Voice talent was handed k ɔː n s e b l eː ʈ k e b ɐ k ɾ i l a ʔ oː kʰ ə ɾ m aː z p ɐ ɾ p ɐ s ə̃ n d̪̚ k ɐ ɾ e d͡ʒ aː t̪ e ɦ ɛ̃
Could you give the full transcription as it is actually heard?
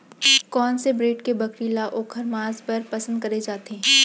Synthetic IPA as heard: k ɔː n s e b ɾ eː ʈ k e b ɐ k ɾ i l a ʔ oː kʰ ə ɾ m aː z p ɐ ɾ p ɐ s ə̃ n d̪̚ k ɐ ɾ e d͡ʒ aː t̪ e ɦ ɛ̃

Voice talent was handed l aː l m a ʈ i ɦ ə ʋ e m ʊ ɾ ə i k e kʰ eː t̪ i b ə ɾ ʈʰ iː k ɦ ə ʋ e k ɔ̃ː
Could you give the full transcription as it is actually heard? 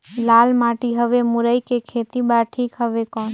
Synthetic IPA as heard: l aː l m a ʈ i ɦ ə ʋ e m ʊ ɾ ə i k e kʰ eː t̪ i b a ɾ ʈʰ iː k ɦ ə ʋ e k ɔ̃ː

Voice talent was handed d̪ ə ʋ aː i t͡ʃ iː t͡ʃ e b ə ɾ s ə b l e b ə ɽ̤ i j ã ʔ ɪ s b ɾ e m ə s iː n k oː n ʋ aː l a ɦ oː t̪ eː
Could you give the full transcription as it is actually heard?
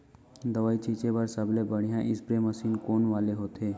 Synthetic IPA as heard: d̪ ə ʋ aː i t͡ʃ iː t͡ʃ e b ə ɾ s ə b l e b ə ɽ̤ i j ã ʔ ɪ s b ɾ e m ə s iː n k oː n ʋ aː l e ɦ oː t̪ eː

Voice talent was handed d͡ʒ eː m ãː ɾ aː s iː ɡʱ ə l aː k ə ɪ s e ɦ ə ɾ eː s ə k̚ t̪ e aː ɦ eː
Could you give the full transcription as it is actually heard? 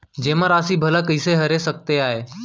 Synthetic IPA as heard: d͡ʒ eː m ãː ɾ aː s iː bʱ ə l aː k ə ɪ s e ɦ ə ɾ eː s ə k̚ t̪ e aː ɦ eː

